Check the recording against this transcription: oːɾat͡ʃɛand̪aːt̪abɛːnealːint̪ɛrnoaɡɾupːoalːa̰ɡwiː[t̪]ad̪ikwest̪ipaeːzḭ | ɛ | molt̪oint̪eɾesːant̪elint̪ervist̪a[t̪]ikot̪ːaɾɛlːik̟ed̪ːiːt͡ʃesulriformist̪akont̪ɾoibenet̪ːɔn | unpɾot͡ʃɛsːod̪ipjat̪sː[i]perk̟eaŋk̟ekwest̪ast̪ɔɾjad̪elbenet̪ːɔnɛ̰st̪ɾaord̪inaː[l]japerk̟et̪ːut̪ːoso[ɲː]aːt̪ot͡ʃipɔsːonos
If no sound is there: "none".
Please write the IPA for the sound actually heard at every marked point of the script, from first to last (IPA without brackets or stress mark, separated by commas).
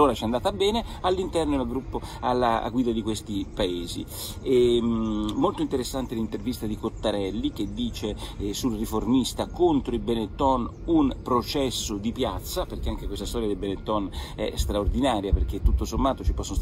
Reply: d̪, d̪, a, ɾ, mː